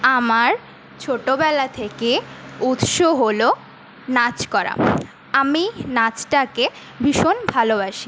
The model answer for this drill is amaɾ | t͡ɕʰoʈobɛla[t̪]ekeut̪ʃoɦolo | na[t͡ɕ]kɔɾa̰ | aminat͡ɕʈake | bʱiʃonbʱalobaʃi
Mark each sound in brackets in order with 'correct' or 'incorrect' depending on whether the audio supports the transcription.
incorrect, correct

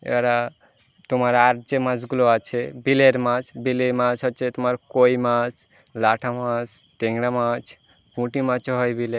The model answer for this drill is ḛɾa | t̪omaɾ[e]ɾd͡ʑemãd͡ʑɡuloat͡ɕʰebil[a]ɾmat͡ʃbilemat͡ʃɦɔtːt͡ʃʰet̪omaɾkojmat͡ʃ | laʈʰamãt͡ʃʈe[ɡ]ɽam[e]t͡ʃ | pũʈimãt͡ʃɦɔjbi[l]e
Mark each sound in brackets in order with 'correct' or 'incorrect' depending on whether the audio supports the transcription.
incorrect, incorrect, incorrect, incorrect, correct

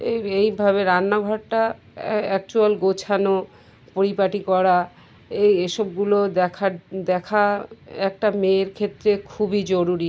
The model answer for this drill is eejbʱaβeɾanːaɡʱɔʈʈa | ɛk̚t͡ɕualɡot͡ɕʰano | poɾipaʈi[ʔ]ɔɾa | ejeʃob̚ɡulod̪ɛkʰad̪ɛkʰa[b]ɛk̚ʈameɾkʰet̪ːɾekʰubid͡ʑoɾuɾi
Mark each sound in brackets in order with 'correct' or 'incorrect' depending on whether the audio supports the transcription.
incorrect, incorrect

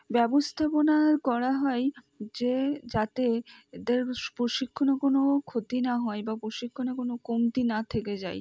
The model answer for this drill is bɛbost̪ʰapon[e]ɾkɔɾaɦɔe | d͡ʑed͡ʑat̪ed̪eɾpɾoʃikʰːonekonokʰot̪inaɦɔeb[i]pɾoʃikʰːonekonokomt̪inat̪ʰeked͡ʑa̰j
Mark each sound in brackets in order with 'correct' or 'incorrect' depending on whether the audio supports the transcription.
incorrect, incorrect

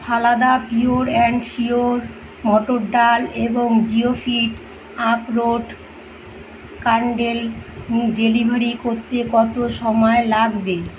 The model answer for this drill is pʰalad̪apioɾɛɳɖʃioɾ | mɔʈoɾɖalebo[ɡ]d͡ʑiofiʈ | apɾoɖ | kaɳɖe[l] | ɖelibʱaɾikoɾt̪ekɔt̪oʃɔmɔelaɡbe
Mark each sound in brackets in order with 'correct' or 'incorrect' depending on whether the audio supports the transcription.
incorrect, correct

